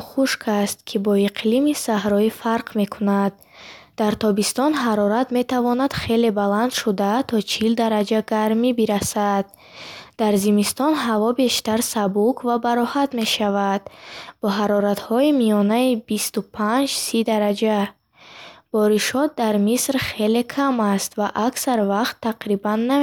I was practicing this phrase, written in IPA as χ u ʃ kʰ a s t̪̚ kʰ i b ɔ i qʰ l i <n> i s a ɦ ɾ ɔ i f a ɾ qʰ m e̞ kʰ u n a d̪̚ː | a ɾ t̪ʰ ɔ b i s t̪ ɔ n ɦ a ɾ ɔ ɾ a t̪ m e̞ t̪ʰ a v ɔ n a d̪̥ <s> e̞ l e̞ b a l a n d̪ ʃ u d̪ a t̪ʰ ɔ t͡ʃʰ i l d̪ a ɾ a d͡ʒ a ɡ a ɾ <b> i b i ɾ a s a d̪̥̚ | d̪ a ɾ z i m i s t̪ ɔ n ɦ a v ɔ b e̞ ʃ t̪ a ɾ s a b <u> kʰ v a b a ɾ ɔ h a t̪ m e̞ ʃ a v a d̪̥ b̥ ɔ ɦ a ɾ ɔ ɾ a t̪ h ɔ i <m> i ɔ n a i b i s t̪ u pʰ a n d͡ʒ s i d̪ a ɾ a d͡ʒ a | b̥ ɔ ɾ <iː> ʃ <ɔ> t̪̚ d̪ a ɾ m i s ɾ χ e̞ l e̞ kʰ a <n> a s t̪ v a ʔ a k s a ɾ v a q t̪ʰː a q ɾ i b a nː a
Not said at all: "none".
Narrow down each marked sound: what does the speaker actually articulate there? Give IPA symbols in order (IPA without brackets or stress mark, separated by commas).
m, χ, m, u, m, i, ɔ, m